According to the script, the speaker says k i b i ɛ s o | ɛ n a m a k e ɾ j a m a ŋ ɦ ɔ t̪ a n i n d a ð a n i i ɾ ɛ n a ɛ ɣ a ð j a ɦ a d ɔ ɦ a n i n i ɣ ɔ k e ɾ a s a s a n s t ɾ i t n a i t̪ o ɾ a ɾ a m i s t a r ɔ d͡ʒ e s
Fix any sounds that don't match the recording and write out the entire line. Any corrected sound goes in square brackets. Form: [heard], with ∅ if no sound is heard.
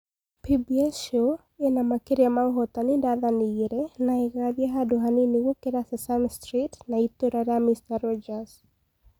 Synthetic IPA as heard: [p] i b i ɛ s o | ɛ n a m a k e ɾ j a m a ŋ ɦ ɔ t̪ a n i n d a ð a n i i ɾ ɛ n a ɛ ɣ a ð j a ɦ a d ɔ ɦ a n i n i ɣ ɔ k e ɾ a s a s a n s t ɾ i t n a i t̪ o ɾ a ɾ a m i s t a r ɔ d͡ʒ [a] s